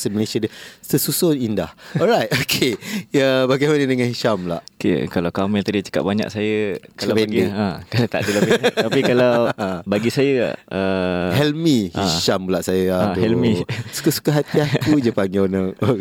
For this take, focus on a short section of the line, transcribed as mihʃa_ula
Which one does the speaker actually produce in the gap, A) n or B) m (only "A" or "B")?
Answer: B